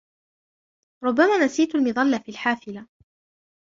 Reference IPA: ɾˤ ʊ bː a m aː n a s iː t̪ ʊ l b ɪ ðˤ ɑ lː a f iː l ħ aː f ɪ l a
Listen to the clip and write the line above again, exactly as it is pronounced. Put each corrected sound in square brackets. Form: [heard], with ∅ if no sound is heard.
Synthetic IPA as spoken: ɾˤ ʊ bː a m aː n a s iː t̪ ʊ l [m] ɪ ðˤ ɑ lː a f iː l ħ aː f ɪ l a